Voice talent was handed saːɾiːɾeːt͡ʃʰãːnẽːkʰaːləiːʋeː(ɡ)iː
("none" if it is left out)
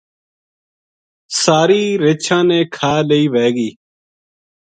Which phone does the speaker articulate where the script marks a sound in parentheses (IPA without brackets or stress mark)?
ɡ